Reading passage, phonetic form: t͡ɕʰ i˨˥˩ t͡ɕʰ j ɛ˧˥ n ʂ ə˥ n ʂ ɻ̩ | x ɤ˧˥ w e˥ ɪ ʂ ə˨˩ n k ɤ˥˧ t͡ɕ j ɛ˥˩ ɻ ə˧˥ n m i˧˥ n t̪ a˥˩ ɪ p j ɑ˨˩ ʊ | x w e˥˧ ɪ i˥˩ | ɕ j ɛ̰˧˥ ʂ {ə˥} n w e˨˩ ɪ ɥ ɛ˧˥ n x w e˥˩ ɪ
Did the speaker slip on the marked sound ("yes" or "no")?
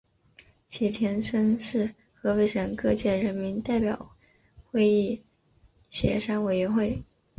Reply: yes